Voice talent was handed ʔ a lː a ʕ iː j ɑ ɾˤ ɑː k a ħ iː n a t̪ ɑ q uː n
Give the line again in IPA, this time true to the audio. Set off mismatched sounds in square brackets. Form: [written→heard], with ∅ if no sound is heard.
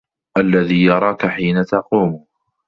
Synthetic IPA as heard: ʔ a lː a [ʕ→ð] iː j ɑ ɾˤ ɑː k a ħ iː n a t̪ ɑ q uː [n→m]